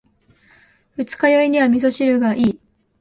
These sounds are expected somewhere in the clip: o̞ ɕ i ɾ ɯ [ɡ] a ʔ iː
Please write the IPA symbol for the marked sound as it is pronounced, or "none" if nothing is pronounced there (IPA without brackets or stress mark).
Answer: ɡ